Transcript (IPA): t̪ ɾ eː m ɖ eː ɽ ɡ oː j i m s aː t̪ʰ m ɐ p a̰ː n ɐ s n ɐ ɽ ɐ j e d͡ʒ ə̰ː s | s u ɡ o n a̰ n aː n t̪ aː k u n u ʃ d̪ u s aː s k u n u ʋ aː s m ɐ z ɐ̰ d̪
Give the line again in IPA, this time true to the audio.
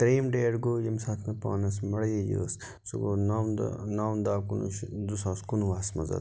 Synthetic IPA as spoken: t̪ ɾ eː m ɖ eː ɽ ɡ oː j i m s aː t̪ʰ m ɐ p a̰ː n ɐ s m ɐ ɽ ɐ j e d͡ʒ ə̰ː s | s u ɡ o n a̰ n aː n d̪ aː k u n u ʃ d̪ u s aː s k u n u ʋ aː s m ɐ z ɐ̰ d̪